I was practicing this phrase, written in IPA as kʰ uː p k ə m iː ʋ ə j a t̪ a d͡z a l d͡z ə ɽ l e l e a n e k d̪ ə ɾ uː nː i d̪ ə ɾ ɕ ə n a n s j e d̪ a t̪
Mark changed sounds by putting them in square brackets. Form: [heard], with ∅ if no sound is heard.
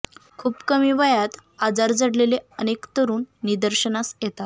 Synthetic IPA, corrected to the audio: kʰ uː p k ə m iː ʋ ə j a t̪ a d͡z a [ɾ] d͡z ə ɽ l e l e [ə] n e k [t̪] ə ɾ uː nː i d̪ ə ɾ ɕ ə n a [∅] s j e [t̪] a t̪